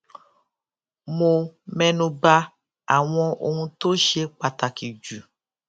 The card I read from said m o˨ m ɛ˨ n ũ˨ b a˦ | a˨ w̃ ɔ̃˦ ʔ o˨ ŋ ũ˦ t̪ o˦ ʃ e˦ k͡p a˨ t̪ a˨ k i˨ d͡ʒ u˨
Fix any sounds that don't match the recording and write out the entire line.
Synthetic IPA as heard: m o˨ m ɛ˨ n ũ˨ b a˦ | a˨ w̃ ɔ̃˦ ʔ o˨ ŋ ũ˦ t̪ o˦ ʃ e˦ k͡p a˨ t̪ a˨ k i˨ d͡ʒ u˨